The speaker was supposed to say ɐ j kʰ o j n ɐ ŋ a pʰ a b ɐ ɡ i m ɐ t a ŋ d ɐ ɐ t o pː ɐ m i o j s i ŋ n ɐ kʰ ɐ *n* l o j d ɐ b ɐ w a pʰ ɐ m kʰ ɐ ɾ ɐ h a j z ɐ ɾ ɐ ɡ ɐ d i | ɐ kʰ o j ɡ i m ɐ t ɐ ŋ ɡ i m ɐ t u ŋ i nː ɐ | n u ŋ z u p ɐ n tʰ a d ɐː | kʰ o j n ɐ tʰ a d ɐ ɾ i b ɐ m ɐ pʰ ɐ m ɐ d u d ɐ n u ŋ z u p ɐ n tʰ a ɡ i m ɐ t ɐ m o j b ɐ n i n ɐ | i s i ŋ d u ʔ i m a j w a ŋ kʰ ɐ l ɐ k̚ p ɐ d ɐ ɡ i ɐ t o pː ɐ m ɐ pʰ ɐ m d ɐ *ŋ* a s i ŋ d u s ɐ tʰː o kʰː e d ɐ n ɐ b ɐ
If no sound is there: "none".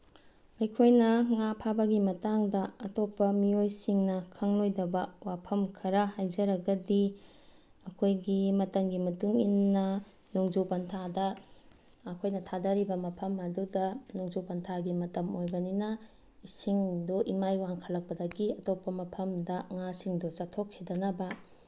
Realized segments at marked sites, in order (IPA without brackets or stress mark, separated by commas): ŋ, ŋ